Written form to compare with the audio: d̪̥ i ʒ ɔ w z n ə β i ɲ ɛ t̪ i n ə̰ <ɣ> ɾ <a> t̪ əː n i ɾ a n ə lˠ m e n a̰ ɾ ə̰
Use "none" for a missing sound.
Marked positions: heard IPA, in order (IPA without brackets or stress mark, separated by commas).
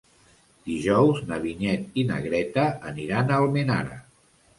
ɣ, ɛ